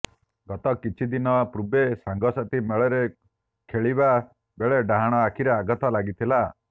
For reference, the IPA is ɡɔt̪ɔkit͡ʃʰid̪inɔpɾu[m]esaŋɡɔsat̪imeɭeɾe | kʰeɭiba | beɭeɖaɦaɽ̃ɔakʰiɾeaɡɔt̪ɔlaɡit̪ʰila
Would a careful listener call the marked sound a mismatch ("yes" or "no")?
yes